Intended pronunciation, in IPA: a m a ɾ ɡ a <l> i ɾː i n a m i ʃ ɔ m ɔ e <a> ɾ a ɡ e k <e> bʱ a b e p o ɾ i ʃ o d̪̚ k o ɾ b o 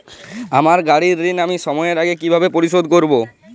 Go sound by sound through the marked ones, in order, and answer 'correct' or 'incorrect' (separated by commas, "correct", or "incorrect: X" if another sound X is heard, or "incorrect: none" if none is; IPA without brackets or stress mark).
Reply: incorrect: ɽ, incorrect: e, incorrect: i